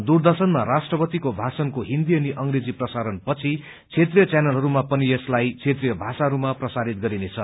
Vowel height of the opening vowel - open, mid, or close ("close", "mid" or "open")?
close